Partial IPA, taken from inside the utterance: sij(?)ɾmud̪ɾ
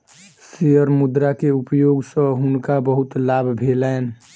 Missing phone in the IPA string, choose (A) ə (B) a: A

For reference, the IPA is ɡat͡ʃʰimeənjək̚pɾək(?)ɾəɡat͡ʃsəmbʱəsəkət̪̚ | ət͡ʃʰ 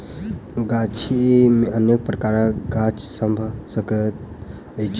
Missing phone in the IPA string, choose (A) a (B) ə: A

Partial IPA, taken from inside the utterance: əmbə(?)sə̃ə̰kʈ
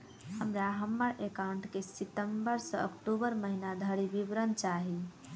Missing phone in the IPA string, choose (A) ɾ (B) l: A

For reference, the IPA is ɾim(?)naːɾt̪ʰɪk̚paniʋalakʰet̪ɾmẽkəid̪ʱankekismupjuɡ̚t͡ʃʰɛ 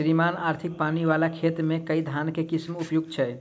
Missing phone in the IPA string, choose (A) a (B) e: A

